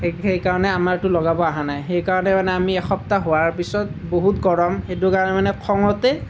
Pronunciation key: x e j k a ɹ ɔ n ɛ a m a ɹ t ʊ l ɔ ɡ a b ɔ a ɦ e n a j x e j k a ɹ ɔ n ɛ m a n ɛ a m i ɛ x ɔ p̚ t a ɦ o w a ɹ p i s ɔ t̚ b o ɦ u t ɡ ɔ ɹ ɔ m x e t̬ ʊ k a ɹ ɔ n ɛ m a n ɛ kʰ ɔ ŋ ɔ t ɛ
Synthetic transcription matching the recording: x e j k a ɹ ɔ n ɛ a m a ɹ t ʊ l ɔ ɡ a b ɔ a ɦ a n a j x e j k a ɹ ɔ n ɛ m a n ɛ a m i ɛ x ɔ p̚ t a ɦ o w a ɹ p i s ɔ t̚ b o ɦ u t ɡ ɔ ɹ ɔ m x e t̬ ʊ k a ɹ ɔ n ɛ m a n ɛ kʰ ɔ ŋ ɔ t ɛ